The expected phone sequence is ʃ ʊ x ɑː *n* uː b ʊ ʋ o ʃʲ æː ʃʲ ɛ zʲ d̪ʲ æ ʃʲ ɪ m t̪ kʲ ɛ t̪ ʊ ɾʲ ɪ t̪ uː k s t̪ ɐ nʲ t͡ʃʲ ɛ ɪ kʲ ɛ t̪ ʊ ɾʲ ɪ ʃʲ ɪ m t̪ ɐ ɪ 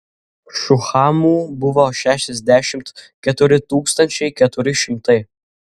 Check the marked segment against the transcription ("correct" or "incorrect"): incorrect